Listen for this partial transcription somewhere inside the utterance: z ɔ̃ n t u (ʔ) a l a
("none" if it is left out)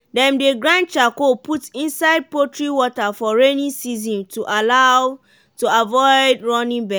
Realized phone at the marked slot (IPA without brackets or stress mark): ʔ